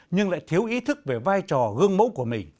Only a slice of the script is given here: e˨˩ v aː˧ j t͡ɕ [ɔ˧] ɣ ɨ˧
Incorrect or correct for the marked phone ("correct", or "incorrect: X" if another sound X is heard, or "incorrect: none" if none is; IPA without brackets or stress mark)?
incorrect: ɔ˨˩